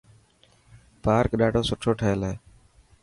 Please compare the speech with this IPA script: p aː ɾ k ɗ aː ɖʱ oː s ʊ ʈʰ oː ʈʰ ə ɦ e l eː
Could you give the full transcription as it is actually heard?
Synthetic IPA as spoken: p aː ɾ k ɗ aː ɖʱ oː s ʊ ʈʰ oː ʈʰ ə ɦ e l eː